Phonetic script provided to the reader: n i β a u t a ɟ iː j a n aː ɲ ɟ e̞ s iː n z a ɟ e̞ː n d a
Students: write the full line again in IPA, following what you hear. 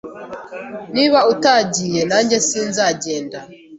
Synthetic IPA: n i β a u t a ɟ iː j e n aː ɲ ɟ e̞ s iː n z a ɟ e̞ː n d a

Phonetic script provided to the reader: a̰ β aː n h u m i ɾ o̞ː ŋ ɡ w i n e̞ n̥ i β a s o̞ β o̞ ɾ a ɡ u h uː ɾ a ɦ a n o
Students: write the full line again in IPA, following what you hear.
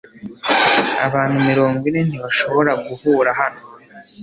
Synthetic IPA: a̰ β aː n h u m i ɾ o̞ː ŋ ɡ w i n e̞ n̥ i β a ʃ o̞ β o̞ ɾ a ɡ u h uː ɾ a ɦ a n o

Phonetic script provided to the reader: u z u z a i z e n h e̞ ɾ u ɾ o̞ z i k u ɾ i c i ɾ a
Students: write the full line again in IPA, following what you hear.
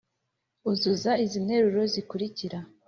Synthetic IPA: u z u z a i z i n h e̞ ɾ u ɾ o̞ z i k u ɾ i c i ɾ a

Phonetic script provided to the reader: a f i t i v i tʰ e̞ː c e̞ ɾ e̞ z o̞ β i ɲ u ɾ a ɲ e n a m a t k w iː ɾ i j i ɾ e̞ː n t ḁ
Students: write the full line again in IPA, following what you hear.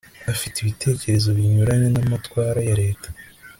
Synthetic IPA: a f i t i β i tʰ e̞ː c e̞ ɾ e̞ z o̞ β i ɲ u ɾ a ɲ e n a m a t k w aː ɾ a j a ɾ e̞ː t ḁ

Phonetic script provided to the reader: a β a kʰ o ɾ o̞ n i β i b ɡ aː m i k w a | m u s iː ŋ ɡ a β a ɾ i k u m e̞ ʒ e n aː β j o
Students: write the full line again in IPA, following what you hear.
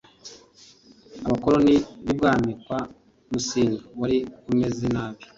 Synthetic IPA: a β a k o ɾ o̞ n i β i b ɡ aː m i k w a | m u s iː ŋ ɡ a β a ɾ i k u m e̞ z e n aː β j o

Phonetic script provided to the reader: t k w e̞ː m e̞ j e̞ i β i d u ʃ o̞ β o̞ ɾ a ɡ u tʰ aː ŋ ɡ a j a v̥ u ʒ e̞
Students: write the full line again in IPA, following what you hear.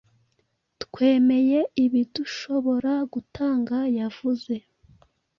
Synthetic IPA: t k w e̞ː m e̞ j e̞ i β i d u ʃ o̞ β o̞ ɾ a ɡ u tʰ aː ŋ ɡ a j a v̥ u z e̞

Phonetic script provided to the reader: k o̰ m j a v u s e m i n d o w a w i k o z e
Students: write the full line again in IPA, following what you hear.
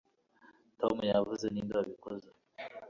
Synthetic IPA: t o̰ m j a v u z e n i n d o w a β i k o z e

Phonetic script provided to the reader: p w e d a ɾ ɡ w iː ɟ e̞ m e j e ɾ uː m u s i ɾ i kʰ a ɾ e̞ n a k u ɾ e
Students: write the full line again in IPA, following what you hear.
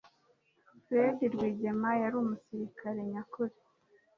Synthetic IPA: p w e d i ɾ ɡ w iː ɟ e̞ m a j a ɾ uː m u s i ɾ i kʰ a ɾ e̞ ɲ a k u ɾ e

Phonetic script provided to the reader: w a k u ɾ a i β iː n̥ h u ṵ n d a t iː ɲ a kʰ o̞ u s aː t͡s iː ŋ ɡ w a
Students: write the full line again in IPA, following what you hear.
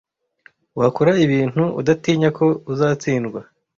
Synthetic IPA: w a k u ɾ a i β iː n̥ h u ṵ d a t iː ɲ a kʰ o̞ u z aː t͡s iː n ɡ w a

